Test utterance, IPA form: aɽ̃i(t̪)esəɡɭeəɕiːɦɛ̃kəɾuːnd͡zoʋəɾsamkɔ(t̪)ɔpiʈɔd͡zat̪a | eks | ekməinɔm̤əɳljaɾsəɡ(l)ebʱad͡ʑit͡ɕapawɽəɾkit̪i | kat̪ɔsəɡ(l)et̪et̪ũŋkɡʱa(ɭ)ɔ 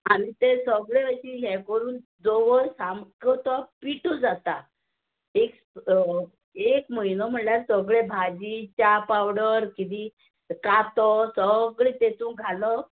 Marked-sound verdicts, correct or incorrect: correct, correct, incorrect, incorrect, incorrect

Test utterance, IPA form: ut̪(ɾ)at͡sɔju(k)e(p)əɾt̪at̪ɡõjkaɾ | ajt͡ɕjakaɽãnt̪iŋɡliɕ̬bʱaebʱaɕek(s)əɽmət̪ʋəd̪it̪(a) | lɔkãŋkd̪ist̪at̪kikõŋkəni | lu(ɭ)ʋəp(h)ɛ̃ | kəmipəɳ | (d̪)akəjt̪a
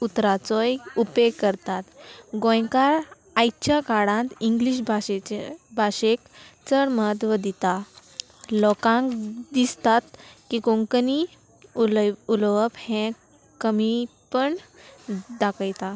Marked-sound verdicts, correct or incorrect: correct, incorrect, incorrect, incorrect, correct, incorrect, correct, correct

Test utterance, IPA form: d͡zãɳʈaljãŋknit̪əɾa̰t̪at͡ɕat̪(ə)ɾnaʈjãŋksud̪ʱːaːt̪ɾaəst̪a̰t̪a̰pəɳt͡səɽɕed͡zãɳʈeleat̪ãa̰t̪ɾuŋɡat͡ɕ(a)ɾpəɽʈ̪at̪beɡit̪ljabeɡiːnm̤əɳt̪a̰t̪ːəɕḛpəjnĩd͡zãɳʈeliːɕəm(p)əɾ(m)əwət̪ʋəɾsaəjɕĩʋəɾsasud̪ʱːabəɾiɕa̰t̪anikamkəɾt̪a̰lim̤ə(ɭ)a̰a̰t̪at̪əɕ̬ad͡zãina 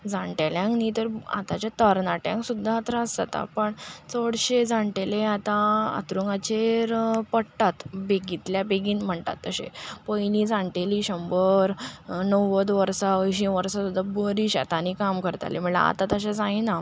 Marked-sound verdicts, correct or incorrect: correct, incorrect, incorrect, incorrect, correct

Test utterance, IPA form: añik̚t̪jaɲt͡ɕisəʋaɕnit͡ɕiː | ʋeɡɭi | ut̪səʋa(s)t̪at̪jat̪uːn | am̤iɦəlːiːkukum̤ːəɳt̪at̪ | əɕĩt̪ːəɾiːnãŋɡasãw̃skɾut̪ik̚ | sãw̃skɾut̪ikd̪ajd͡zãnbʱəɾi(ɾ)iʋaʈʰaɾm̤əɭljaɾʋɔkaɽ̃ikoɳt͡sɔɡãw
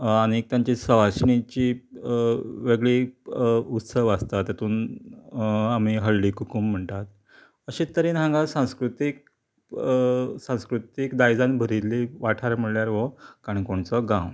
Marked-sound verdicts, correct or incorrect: correct, incorrect

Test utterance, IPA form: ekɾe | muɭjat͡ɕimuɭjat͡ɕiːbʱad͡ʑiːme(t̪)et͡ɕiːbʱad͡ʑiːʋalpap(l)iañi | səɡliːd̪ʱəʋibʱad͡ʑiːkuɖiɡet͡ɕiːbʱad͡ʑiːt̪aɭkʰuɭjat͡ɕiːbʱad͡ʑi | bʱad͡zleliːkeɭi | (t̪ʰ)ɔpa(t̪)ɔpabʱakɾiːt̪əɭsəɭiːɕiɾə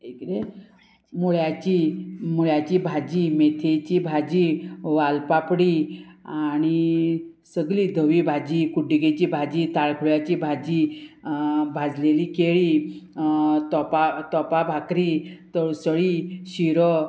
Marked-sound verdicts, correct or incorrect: incorrect, incorrect, incorrect, correct

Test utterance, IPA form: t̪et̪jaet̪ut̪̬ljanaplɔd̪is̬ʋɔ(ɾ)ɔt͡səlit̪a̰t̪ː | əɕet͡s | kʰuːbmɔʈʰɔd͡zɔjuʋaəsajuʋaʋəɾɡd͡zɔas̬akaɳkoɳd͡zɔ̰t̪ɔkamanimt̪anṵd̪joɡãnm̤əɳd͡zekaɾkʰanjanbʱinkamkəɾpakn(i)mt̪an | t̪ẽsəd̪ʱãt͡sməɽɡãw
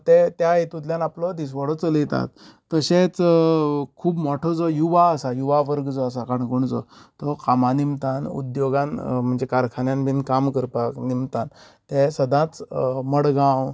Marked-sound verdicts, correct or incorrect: incorrect, correct

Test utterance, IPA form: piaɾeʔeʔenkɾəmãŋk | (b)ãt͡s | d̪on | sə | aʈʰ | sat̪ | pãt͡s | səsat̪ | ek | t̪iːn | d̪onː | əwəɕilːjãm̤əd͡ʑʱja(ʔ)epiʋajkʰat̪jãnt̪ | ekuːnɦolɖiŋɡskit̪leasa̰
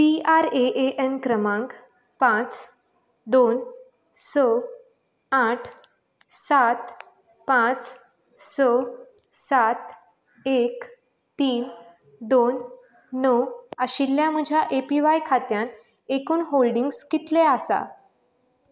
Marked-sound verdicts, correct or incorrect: incorrect, correct

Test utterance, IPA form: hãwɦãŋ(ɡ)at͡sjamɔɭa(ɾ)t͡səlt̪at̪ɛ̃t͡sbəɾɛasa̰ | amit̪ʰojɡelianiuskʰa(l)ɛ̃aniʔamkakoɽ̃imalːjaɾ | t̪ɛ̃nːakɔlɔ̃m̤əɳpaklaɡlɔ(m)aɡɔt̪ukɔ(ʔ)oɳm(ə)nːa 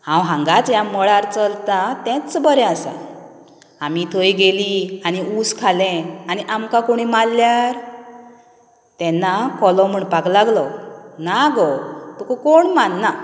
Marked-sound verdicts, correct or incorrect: correct, correct, correct, incorrect, incorrect, incorrect

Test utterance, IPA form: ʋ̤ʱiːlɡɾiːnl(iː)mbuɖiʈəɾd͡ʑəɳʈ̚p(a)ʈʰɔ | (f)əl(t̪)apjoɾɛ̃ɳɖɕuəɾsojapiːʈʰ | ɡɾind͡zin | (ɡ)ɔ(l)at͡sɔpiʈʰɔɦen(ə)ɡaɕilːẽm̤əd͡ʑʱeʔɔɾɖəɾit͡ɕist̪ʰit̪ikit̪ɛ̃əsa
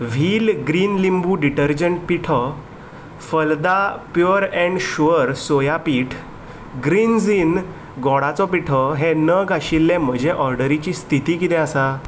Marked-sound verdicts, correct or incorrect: incorrect, incorrect, correct, incorrect, correct, incorrect, correct

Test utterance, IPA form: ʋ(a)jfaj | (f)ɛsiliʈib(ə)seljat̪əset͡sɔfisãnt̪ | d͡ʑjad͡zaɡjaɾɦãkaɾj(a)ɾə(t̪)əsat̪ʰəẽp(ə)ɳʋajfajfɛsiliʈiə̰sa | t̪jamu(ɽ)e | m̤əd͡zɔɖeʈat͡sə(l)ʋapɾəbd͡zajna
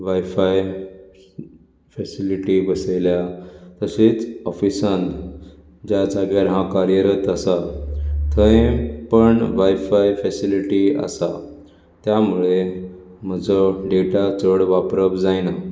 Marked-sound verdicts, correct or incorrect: correct, correct, correct, incorrect, correct, correct, incorrect, incorrect

